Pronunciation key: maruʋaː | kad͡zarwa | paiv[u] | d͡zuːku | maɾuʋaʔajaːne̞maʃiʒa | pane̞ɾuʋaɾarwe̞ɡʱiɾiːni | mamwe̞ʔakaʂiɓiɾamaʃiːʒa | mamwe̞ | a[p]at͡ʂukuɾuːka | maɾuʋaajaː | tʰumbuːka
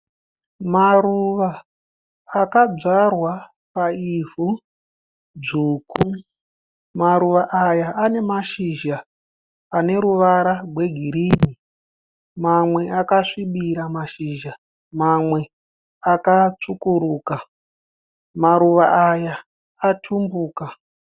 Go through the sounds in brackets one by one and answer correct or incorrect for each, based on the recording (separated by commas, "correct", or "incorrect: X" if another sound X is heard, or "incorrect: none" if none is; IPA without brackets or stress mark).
correct, incorrect: k